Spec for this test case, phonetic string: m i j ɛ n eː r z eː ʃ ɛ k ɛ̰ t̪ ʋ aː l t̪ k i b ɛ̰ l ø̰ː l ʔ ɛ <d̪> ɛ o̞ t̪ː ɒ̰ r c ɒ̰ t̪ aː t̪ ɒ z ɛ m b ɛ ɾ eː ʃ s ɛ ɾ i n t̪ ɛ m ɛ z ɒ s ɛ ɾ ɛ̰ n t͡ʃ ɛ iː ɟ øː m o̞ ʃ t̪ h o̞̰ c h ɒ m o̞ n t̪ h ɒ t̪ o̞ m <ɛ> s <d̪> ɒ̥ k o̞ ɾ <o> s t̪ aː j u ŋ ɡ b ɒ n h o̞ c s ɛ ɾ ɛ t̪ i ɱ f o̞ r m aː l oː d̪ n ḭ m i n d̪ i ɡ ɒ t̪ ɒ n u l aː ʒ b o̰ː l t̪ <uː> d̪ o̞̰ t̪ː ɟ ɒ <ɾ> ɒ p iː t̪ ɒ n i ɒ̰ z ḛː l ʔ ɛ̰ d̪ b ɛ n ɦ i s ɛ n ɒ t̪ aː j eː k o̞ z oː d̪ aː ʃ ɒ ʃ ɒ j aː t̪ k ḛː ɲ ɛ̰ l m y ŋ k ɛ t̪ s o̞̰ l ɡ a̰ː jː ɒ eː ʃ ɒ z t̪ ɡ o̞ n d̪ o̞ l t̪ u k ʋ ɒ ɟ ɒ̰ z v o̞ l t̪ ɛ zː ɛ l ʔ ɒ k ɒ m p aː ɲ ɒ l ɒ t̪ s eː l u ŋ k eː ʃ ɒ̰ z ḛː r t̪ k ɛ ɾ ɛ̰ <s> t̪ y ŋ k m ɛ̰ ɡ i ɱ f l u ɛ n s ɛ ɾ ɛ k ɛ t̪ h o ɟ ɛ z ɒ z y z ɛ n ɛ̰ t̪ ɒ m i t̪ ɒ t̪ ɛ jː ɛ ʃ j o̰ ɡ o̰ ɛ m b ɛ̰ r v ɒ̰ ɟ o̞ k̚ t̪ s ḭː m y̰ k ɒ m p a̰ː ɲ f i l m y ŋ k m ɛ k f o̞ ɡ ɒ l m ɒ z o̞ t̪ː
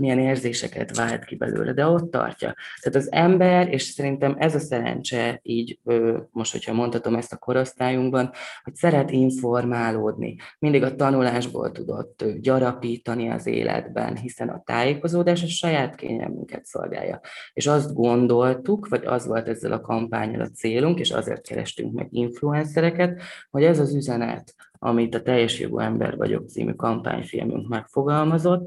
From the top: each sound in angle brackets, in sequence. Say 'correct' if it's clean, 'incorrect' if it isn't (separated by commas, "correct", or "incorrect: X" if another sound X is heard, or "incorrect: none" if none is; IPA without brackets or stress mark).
correct, correct, incorrect: t̪, correct, incorrect: u, correct, incorrect: ʃ